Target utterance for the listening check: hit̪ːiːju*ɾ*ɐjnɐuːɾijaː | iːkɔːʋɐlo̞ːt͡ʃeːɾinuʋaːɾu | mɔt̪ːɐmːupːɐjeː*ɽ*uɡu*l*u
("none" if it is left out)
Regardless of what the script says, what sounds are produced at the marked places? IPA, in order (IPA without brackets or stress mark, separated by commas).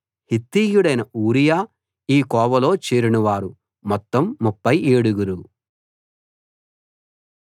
ɽ, ɽ, ɾ